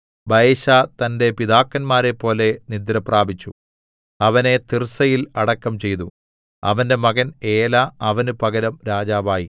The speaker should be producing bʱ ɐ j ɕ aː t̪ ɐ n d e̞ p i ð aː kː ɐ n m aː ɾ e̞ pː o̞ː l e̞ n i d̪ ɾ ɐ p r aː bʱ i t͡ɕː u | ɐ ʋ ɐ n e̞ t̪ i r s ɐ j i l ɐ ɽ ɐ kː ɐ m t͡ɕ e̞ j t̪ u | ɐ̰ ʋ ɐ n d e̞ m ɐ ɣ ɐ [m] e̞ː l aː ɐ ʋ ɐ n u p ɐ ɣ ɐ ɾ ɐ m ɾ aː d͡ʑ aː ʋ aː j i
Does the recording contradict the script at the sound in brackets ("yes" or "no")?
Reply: yes